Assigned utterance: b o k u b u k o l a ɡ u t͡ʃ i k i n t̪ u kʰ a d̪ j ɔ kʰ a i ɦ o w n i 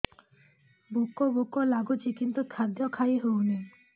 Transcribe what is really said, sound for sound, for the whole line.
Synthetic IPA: b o k o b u k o l a ɡ u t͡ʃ i k i n t̪ u kʰ a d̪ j ɔ kʰ a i ɦ o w n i